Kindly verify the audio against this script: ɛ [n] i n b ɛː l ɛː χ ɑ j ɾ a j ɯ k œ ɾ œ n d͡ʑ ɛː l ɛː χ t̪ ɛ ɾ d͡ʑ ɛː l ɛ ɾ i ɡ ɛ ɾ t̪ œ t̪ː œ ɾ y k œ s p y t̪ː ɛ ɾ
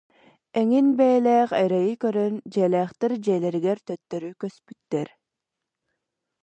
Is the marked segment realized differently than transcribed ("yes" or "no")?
yes